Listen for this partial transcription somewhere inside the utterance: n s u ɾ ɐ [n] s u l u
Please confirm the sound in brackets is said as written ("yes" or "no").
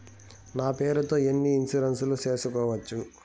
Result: yes